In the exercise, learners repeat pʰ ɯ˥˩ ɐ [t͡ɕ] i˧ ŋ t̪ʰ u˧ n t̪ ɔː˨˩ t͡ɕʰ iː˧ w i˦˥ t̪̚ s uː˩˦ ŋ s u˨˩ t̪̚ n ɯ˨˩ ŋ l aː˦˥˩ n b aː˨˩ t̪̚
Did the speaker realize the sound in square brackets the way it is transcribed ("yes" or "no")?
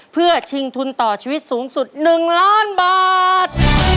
no